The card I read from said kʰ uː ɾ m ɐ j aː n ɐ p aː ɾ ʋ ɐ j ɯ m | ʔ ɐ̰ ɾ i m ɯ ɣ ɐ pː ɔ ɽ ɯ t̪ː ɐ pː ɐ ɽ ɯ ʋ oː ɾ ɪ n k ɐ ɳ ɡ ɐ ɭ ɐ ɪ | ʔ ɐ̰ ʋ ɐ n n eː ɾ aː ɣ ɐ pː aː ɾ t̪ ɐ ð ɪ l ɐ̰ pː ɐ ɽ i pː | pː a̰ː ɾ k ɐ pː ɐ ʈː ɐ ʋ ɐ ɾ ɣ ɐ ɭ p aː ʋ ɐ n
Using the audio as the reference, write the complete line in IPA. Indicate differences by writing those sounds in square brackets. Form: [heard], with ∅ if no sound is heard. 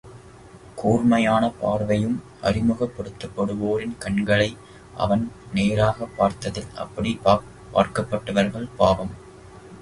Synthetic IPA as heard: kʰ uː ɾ m ɐ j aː n ɐ p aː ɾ ʋ ɐ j ɯ m | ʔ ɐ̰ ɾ [ɪ] m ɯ ɣ ɐ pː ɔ ɽ ɯ t̪ː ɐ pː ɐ ɽ ɯ ʋ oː ɾ ɪ n k ɐ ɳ ɡ ɐ ɭ ɐ ɪ | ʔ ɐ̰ ʋ ɐ n n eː ɾ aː ɣ ɐ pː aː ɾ t̪ ɐ ð ɪ l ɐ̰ pː ɐ ɽ i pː | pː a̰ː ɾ k ɐ pː ɐ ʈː ɐ ʋ ɐ ɾ ɣ ɐ ɭ p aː ʋ ɐ [m]

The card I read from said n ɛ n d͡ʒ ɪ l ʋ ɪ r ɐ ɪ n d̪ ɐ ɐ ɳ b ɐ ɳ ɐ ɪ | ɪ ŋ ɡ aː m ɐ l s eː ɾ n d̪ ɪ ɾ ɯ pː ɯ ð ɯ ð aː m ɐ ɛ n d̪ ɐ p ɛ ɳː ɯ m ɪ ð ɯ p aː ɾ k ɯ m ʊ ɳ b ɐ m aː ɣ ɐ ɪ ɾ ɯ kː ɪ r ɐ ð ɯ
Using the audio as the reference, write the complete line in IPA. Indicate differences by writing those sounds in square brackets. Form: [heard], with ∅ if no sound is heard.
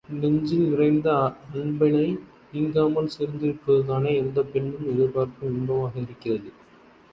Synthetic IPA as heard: n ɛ [ɲ] d͡ʒ ɪ l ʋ ɪ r ɐ ɪ n d̪ ɐ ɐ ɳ b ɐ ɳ ɐ ɪ | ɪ ŋ ɡ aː m ɐ l s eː ɾ n d̪ ɪ ɾ ɯ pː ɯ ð ɯ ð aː [n] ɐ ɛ n d̪ ɐ p ɛ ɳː ɯ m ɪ ð ɯ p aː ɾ k ɯ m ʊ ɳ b ɐ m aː ɣ ɐ ɪ ɾ ɯ kː ɪ r ɐ ð ɯ

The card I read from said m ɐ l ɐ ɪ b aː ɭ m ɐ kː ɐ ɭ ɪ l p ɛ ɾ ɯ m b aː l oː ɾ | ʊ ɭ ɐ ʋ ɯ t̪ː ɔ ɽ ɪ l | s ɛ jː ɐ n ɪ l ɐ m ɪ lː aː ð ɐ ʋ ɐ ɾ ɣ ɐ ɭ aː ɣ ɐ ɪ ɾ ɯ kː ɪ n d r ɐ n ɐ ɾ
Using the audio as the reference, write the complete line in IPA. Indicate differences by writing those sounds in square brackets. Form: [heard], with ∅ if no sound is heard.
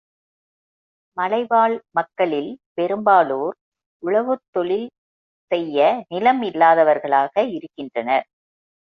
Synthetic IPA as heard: m ɐ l ɐ ɪ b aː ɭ m ɐ kː ɐ ɭ ɪ l p ɛ ɾ ɯ m b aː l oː ɾ | ʊ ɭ ɐ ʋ ɯ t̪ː ɔ [ɭ] ɪ l | s ɛ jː ɐ n ɪ l ɐ m ɪ lː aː ð ɐ ʋ ɐ ɾ ɣ ɐ ɭ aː ɣ ɐ ɪ ɾ ɯ kː ɪ n d r ɐ n ɐ ɾ

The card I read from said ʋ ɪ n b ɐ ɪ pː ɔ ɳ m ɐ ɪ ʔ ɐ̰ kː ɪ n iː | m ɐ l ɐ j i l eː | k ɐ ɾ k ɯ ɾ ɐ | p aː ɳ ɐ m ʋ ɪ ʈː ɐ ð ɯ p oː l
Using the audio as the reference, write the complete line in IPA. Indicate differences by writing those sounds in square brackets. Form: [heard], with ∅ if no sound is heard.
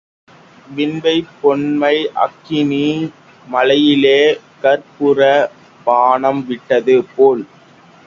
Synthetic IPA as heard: ʋ ɪ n b ɐ ɪ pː ɔ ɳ m ɐ ɪ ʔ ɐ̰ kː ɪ n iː | m ɐ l ɐ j [ɪ] l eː | k ɐ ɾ [p] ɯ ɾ ɐ | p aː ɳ ɐ m ʋ ɪ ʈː ɐ ð ɯ p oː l

